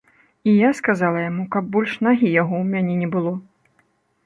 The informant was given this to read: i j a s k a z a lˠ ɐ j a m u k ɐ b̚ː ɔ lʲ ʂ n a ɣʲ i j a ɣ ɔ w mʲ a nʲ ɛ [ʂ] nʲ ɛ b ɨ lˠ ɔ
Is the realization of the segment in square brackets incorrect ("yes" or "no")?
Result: yes